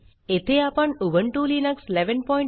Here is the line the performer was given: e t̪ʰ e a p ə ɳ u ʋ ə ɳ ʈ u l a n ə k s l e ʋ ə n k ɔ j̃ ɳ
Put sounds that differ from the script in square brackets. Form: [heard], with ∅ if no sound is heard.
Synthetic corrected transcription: e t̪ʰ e a p ə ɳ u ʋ ə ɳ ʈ u l [i] n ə k s l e ʋ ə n [p] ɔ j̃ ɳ